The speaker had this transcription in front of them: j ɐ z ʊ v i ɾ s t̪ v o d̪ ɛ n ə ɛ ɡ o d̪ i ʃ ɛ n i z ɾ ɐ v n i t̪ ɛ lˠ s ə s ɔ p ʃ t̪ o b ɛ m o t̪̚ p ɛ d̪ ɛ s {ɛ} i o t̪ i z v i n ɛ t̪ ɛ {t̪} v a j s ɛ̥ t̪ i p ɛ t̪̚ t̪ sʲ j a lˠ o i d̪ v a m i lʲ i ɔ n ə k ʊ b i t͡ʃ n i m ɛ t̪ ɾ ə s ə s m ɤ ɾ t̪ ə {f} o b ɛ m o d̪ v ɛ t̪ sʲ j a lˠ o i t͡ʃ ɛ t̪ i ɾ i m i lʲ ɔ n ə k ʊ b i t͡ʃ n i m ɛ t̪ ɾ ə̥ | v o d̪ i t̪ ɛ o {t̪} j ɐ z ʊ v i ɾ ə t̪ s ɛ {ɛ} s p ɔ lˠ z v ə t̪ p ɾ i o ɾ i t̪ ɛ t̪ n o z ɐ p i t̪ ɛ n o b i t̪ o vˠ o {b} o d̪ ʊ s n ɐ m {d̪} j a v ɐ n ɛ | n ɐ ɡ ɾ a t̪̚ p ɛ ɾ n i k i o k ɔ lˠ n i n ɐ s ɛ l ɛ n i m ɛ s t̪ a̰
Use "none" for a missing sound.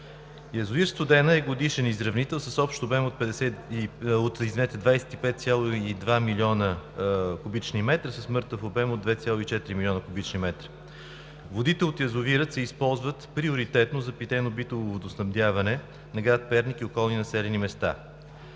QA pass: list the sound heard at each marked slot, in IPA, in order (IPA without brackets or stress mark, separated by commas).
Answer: ɛ, d̪, f, t̪, i, v, d̪